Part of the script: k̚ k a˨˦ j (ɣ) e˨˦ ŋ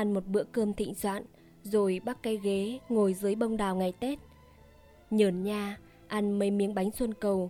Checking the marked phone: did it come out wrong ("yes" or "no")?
no